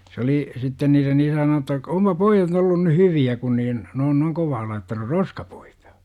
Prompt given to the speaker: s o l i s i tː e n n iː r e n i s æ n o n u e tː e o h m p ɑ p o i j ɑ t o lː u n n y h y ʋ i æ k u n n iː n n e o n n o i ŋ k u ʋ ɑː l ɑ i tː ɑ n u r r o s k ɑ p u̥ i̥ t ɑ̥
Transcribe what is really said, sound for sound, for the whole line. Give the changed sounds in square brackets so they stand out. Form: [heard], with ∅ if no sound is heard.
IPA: s o l i s i tː e n n iː r e n i s æ n o n u e tː [æ] o [∅] m p ɑ p o i j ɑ t o lː u n n y h y ʋ i æ k u n n iː n n e o n n o i ŋ k [o] ʋ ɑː l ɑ i tː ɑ n u r r o s k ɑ p u̥ i̥ t ɑ̥